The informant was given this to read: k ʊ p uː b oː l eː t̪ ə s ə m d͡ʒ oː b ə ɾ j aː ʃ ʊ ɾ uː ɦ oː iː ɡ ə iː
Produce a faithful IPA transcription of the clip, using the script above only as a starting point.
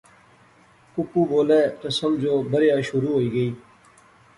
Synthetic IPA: k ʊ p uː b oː l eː t̪ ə s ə m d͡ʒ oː b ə ɾ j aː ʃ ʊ ɾ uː ɦ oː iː ɡ ə iː